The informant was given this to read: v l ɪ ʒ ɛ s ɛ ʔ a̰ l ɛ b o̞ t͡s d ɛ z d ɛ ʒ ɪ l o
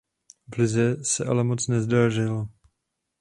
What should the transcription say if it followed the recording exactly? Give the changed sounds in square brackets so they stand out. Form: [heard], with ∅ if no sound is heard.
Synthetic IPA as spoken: v l ɪ [z] ɛ s ɛ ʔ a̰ l ɛ [m] o̞ t͡s [n] ɛ z d [a] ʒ ɪ l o